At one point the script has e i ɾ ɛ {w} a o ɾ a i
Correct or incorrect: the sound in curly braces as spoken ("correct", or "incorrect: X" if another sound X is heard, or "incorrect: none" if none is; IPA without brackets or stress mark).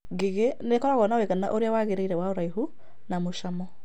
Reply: correct